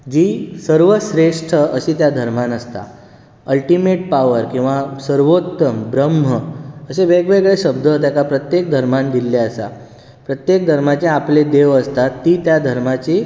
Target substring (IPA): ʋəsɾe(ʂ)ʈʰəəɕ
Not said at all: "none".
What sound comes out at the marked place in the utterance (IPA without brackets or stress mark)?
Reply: ʂ